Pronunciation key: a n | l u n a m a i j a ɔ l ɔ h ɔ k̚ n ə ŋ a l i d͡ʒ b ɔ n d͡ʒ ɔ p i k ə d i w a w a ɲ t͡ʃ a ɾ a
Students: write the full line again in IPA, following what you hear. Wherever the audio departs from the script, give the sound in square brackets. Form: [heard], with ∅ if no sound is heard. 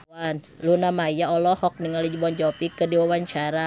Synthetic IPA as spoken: a n | l u n a m a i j a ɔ l ɔ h ɔ k̚ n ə ŋ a l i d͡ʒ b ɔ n d͡ʒ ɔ p i k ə d i w a w a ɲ t͡ʃ a ɾ a

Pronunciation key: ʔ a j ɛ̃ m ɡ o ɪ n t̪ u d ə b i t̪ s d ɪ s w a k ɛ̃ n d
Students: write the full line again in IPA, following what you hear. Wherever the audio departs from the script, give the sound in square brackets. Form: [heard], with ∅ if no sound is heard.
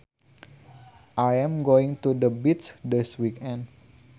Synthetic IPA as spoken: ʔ a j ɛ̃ m ɡ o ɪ [ŋ] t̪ u d ə b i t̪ s d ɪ s w [i] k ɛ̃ n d

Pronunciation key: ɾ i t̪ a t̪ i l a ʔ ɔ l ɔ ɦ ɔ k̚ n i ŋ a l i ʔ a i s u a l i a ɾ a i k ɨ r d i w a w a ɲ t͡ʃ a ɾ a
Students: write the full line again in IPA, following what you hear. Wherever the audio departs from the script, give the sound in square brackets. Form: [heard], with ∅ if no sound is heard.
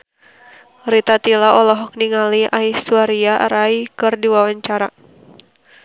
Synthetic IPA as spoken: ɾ i t̪ a t̪ i l a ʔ ɔ l ɔ ɦ ɔ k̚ n i ŋ a l i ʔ a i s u a [ɾ] i a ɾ a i k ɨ r d i w a w a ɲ t͡ʃ a ɾ a

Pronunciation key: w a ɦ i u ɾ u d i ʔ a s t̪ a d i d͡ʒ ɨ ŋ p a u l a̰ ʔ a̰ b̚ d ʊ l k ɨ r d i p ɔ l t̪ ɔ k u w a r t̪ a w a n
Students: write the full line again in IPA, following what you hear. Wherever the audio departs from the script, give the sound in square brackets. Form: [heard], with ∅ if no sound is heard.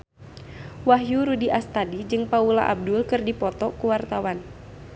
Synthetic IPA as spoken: w a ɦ [j] u ɾ u d i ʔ a s t̪ a d i d͡ʒ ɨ ŋ p a u l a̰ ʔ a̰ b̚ d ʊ l k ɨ r d i p ɔ [∅] t̪ ɔ k u w a r t̪ a w a n

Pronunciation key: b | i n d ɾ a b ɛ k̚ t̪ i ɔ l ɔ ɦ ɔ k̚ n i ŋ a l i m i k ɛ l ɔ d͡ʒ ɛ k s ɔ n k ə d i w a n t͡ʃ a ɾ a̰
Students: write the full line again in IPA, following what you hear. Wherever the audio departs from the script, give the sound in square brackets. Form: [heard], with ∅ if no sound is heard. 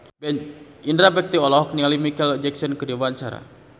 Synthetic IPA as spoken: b | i n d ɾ a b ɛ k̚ t̪ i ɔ l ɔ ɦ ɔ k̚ n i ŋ a l i m i k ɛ l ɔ d͡ʒ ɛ k s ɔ n k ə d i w a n t͡ʃ a ɾ a̰

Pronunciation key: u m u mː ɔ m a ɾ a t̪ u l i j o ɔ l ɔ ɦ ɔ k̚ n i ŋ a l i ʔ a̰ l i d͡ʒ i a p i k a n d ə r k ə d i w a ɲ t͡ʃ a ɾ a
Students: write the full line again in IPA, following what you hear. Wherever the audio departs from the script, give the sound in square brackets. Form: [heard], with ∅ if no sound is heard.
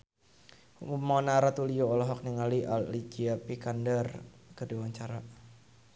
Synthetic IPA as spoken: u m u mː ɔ [n] a ɾ a t̪ u l i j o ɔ l ɔ ɦ ɔ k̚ n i ŋ a l i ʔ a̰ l i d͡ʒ i a p i k a n d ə r k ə d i w a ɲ t͡ʃ a ɾ a

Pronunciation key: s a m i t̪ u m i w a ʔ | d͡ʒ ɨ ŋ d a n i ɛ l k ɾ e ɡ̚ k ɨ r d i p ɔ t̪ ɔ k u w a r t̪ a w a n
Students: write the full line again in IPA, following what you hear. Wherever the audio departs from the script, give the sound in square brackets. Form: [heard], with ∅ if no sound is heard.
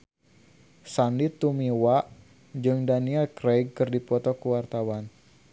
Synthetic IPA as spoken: s a [n] i t̪ u m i w a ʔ | d͡ʒ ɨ ŋ d a n i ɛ l k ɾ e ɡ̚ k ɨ r d i p ɔ t̪ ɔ k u w a r t̪ a w a n

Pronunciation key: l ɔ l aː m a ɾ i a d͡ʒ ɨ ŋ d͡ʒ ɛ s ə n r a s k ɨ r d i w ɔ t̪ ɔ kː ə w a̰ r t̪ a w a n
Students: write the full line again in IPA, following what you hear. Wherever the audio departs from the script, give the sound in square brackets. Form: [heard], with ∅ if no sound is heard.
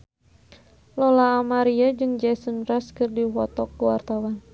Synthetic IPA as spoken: l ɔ l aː m a ɾ i a d͡ʒ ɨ ŋ d͡ʒ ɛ s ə n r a s k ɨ r d i w ɔ t̪ ɔ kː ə w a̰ r t̪ a w a n

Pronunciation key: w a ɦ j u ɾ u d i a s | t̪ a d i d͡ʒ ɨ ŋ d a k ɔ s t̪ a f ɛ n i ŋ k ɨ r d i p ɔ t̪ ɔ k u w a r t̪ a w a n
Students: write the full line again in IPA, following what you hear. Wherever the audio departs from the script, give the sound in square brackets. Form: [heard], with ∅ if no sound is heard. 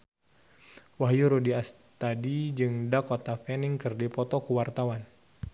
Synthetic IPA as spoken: w a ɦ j u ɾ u d i a s | t̪ a d i d͡ʒ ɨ ŋ d a k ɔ [∅] t̪ a f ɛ n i ŋ k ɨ r d i p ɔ t̪ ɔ k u w a r t̪ a w a n

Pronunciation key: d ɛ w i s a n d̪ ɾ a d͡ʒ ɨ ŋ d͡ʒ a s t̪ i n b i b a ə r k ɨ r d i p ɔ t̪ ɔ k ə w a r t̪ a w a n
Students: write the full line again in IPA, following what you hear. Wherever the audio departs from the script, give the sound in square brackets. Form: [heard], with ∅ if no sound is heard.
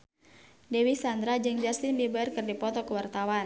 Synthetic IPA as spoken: d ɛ w i s a n d̪ ɾ a d͡ʒ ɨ ŋ d͡ʒ a s t̪ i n b i b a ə r k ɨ r d i p ɔ t̪ ɔ k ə w a r t̪ a w a n

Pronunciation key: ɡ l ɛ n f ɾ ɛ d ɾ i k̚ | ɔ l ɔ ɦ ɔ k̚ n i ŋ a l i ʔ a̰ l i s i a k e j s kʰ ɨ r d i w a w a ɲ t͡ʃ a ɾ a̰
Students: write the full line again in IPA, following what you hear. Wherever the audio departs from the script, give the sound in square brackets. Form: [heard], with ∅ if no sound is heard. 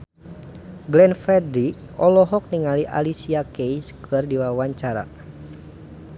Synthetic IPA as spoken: ɡ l ɛ n f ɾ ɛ d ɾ i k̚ | ɔ l ɔ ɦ ɔ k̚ n i ŋ a l i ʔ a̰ l i s i a k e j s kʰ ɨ r d i w a w a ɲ t͡ʃ a ɾ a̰

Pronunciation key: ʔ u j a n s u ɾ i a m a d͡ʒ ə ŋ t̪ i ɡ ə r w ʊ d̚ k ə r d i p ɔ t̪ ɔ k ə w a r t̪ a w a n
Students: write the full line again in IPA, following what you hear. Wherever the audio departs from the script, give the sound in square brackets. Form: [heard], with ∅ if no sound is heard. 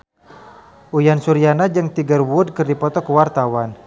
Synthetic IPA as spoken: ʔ u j a n s u ɾ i a [n] a d͡ʒ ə ŋ t̪ i ɡ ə r w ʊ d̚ k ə r d i p ɔ t̪ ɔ k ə w a r t̪ a w a n

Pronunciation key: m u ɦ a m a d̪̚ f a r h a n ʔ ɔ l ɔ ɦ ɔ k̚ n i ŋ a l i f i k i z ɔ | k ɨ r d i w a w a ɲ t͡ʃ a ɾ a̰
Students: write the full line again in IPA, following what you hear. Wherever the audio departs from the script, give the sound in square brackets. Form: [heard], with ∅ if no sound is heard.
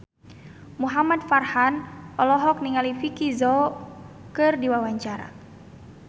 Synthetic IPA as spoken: m u ɦ a m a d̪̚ f a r h a n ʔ ɔ l ɔ ɦ ɔ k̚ n i ŋ a l i f i k i z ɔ | k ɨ r d i w a w a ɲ t͡ʃ a ɾ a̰

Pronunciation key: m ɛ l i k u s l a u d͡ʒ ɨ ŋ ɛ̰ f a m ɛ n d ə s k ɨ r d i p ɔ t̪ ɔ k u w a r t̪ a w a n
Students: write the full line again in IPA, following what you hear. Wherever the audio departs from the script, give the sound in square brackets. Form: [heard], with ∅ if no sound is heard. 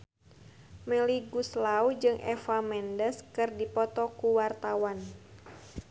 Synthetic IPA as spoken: m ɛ l i [ɡ] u s l a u d͡ʒ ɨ ŋ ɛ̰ f a m ɛ n d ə s k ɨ r d i p ɔ t̪ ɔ k u w a r t̪ a w a n

